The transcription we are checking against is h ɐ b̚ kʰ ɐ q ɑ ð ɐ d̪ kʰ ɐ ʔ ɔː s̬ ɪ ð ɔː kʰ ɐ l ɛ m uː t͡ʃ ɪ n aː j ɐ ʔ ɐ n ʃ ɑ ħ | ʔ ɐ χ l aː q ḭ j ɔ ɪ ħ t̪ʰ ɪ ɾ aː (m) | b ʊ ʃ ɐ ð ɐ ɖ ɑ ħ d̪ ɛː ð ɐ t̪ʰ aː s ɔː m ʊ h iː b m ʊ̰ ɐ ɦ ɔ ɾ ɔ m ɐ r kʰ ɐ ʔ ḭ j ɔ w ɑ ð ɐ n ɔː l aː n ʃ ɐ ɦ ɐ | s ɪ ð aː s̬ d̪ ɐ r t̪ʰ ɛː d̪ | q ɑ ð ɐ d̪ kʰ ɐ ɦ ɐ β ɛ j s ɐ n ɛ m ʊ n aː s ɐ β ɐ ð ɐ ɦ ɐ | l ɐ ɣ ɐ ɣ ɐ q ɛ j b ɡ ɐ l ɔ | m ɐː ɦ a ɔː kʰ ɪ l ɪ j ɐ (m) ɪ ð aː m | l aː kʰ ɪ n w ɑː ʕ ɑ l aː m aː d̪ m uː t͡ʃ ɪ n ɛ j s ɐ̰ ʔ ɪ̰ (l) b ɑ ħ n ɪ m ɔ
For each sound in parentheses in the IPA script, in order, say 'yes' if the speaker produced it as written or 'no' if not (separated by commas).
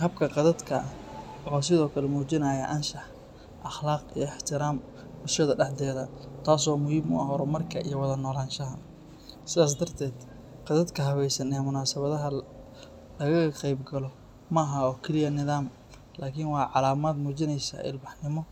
yes, no, yes